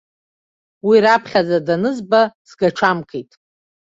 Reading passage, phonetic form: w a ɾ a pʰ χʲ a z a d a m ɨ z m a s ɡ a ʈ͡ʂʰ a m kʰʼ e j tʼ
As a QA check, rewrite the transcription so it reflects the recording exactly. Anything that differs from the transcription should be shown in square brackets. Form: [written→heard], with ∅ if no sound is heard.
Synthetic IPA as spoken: w [a→i] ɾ a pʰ χʲ a z a d a [m→n] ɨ z [m→b] a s ɡ a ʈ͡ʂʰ a m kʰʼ e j tʼ